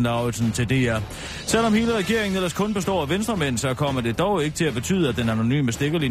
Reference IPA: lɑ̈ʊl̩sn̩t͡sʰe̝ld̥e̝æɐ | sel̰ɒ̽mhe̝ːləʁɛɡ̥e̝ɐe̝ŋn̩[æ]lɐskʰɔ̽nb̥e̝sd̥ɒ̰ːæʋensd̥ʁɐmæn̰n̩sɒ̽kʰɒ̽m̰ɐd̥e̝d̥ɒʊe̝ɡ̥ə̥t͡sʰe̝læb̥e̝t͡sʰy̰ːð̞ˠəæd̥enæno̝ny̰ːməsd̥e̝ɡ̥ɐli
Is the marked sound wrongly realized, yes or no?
yes